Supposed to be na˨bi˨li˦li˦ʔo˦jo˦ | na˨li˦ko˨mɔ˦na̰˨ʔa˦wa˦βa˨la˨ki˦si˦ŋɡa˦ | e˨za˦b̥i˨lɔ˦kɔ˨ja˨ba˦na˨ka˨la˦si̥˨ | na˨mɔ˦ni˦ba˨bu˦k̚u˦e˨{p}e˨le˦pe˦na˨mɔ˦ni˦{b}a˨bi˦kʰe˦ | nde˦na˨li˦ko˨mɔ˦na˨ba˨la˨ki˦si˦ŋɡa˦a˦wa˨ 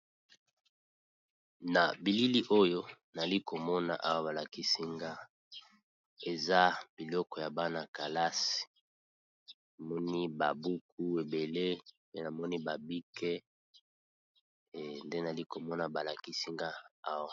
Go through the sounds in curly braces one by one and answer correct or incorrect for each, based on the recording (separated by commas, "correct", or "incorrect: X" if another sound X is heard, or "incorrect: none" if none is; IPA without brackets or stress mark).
incorrect: b, correct